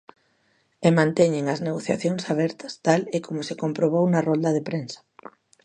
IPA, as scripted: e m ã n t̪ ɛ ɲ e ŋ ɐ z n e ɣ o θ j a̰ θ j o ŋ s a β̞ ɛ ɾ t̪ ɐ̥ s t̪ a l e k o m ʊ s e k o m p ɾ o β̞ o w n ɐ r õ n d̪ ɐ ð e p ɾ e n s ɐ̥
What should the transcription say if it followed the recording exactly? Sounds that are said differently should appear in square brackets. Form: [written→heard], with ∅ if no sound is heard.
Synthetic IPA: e m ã n t̪ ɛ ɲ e ŋ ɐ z n e ɣ o θ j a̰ θ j o ŋ s a β̞ ɛ ɾ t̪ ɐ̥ s t̪ a l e k o m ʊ s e k o m p ɾ o β̞ o w n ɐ r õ n d̪ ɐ ð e p ɾ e n s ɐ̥